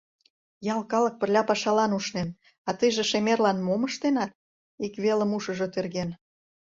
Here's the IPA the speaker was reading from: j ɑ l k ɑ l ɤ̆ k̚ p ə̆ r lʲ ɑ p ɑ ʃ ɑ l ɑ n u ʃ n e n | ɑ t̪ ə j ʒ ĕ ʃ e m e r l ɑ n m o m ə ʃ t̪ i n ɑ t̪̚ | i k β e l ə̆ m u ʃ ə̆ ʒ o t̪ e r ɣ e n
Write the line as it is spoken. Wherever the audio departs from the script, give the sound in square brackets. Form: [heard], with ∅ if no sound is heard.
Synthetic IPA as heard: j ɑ l k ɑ l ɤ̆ k̚ p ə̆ r lʲ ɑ p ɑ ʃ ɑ l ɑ n u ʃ n e n | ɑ t̪ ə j ʒ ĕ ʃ e m e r l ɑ n m o m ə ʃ t̪ [e] n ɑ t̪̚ | i k β e l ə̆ m u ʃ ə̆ ʒ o t̪ e r ɣ e n